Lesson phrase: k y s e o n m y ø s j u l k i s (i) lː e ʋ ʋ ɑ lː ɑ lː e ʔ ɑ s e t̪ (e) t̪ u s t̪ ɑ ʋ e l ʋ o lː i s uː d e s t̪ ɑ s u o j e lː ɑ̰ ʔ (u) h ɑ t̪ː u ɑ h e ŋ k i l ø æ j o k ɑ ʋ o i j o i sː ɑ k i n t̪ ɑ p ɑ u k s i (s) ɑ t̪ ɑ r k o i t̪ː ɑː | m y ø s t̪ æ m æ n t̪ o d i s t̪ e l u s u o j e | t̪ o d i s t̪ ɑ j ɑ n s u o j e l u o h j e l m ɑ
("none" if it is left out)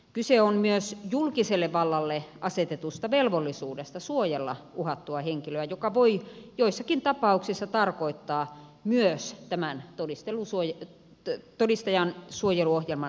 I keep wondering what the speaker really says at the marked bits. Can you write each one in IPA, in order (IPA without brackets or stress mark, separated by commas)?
e, e, u, sː